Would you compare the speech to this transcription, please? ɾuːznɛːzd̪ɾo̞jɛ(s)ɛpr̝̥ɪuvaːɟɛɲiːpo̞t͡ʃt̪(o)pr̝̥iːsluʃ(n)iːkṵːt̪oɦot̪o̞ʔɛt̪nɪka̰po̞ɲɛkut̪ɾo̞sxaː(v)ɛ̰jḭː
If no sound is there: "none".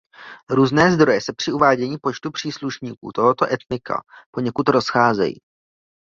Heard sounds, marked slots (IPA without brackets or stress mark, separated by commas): s, u, ɲ, z